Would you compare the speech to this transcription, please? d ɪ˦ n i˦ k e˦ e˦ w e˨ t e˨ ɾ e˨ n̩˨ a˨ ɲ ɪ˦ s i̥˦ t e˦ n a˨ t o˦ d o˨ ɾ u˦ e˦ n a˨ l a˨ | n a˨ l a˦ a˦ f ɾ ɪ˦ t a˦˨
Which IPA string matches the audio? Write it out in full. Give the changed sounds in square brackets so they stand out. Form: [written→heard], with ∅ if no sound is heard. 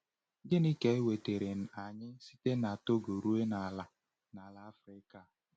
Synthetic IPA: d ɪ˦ n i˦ k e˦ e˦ w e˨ t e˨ ɾ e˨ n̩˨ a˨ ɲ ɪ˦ s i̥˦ t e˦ n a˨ t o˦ [d→ɡ] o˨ ɾ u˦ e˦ n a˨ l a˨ | n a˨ l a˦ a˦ f ɾ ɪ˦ [t→k] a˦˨